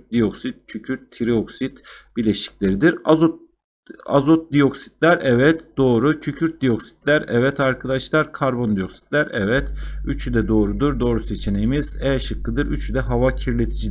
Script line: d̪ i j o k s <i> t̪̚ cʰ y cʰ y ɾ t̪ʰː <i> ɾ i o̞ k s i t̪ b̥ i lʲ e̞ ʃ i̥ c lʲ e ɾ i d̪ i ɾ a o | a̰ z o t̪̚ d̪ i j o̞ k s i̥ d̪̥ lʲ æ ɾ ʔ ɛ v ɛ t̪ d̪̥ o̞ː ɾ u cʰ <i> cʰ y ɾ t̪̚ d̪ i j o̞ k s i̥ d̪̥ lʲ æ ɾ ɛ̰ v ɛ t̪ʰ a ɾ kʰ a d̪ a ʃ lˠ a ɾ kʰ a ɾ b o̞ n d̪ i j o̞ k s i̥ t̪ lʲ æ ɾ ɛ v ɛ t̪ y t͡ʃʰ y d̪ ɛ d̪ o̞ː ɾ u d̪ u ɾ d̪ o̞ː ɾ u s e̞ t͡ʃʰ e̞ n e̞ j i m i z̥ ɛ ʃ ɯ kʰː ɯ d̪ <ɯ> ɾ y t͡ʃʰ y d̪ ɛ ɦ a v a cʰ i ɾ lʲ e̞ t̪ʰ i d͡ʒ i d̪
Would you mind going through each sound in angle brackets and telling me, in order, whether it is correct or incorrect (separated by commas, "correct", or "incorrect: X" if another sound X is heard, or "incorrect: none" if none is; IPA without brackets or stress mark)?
correct, correct, incorrect: y, correct